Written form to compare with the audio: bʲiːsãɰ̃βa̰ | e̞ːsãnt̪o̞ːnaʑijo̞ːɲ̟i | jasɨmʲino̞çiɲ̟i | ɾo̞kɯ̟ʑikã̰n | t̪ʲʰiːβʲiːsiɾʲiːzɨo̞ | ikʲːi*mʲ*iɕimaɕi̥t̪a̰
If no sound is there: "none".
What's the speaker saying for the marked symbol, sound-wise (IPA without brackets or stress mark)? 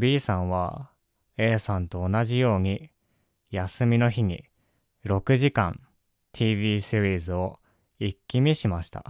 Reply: mʲ